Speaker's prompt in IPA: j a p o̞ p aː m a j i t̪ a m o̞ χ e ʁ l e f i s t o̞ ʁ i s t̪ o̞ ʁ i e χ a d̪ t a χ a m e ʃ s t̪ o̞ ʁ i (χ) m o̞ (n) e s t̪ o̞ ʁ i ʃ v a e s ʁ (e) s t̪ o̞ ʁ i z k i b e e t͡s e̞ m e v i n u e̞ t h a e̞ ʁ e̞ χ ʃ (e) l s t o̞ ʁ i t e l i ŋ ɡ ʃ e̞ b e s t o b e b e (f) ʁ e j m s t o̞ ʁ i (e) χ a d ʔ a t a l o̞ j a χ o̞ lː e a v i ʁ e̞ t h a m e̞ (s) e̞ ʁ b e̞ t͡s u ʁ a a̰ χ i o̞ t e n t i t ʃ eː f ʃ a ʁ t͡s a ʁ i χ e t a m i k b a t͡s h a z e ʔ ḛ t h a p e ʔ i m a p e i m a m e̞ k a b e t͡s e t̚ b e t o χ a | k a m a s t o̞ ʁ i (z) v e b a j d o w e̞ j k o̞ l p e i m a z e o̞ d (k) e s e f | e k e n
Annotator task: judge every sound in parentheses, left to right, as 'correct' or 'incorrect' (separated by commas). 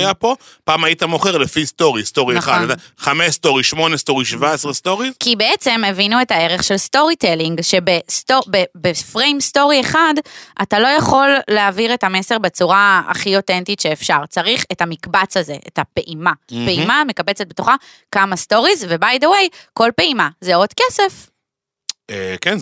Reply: incorrect, correct, correct, correct, correct, correct, correct, correct, correct